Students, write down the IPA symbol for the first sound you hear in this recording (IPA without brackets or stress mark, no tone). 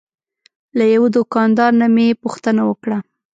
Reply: l